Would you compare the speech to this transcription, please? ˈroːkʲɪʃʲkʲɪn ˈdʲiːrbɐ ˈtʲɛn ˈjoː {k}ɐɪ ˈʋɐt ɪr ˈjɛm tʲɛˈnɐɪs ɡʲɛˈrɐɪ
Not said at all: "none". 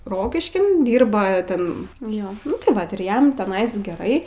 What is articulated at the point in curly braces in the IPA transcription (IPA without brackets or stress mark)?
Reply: t